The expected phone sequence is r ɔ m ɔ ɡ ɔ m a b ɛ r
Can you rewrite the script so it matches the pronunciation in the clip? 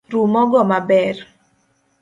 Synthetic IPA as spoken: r u m ɔ ɡ ɔ m a b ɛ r